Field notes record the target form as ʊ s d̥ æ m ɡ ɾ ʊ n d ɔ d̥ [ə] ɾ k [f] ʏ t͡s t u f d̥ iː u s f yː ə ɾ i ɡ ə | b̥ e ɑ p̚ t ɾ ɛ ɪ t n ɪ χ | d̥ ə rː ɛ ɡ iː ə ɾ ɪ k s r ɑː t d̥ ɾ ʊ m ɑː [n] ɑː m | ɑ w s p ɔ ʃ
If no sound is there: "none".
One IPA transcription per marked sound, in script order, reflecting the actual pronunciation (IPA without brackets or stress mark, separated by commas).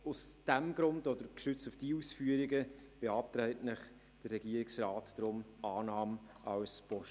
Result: ə, ʃ, n